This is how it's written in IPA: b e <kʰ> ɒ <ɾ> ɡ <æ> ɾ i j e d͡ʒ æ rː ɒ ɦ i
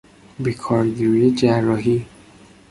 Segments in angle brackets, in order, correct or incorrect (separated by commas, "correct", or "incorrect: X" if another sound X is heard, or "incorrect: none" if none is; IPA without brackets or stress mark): correct, correct, incorrect: i